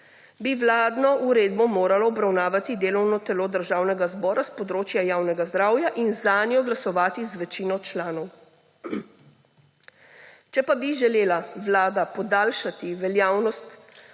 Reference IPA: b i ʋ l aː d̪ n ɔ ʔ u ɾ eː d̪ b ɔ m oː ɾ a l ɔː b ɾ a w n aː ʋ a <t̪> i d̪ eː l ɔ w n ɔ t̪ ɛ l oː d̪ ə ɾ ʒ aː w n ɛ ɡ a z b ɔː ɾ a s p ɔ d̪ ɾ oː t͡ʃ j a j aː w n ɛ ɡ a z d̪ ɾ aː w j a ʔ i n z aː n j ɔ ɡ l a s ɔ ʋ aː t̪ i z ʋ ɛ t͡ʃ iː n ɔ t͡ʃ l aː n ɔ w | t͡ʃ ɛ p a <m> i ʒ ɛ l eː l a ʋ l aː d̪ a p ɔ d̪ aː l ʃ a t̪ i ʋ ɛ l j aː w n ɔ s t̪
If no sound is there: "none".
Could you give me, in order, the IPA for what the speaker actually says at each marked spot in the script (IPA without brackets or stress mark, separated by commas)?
t̪, b